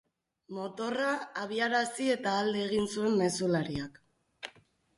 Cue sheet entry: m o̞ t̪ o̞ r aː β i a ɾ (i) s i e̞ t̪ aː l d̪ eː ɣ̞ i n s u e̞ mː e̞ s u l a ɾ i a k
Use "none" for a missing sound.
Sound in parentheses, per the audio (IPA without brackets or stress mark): a